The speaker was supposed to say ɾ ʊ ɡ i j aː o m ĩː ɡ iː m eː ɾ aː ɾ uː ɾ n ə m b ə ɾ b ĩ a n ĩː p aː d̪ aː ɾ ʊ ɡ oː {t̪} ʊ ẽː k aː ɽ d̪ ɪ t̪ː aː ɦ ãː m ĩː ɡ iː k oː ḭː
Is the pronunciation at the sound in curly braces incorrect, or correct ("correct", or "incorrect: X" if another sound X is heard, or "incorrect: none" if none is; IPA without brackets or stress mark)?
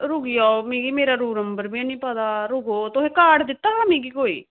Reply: correct